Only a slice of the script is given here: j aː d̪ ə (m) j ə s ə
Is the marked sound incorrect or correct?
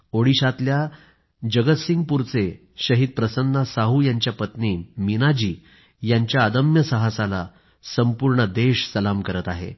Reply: correct